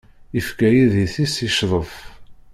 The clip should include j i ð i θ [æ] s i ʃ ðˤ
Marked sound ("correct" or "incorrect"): incorrect